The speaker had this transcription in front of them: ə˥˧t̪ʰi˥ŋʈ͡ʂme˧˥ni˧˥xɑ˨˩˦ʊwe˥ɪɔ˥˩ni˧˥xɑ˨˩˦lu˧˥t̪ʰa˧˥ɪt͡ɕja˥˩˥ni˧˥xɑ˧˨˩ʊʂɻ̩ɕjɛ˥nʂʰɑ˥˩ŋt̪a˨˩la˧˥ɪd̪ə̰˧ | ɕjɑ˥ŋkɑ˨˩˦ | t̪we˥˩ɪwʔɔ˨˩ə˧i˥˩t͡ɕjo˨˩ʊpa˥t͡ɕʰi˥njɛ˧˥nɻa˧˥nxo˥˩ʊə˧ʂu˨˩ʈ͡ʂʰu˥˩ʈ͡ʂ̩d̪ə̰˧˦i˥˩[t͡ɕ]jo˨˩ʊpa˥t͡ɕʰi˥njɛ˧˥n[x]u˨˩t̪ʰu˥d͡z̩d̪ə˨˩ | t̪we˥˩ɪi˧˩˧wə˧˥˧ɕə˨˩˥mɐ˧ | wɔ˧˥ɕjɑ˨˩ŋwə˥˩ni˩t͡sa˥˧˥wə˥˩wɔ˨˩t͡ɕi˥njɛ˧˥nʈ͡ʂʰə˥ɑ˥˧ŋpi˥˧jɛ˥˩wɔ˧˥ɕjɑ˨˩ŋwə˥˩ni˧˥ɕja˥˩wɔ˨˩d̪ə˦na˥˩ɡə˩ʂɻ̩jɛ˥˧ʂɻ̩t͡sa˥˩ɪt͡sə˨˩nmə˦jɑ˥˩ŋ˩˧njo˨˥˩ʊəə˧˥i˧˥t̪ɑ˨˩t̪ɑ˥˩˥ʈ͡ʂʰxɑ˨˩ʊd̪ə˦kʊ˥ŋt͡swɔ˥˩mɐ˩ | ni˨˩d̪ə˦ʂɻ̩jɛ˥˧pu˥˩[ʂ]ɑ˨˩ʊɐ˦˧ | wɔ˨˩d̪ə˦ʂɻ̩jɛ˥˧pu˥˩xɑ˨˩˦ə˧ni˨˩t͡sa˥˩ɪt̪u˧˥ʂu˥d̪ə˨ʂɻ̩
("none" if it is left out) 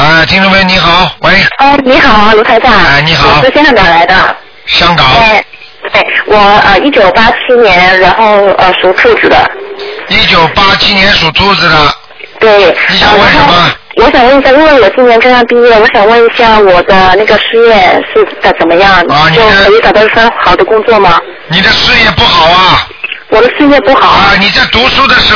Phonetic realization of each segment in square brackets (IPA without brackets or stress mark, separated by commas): t͡ɕ, ʂ, x